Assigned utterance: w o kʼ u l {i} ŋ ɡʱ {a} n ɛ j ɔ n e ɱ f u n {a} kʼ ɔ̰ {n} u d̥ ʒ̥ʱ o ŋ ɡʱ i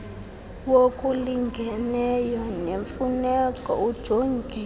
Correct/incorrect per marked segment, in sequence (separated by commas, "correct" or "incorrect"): correct, incorrect, incorrect, incorrect